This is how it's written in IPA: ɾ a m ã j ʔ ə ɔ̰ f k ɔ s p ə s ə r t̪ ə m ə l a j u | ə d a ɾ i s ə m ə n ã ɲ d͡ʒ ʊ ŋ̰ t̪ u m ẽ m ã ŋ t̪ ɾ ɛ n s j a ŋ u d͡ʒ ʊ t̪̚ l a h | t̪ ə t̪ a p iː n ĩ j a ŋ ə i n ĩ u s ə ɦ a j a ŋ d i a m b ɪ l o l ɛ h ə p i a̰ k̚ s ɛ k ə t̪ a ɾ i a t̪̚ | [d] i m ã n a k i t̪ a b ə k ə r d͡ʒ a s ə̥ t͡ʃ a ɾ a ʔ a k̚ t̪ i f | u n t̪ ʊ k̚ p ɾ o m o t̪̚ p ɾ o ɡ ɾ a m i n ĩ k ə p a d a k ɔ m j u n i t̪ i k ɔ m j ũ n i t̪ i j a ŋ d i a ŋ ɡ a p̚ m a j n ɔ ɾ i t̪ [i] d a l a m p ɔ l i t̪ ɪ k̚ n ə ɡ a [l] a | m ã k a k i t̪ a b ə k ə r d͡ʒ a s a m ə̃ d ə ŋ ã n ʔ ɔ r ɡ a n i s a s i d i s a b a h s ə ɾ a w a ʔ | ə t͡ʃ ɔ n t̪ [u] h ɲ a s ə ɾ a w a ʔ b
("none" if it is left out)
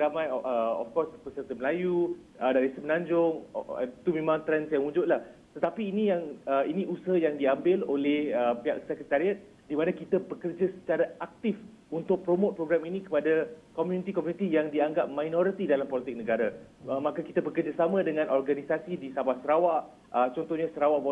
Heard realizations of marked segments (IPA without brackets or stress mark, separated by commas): d, i, ɾ, ɔ